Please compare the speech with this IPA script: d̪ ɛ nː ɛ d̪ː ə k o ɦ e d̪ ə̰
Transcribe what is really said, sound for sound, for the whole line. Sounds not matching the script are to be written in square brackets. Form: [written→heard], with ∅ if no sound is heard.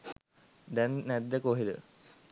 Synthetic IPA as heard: d̪ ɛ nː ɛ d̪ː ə k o ɦ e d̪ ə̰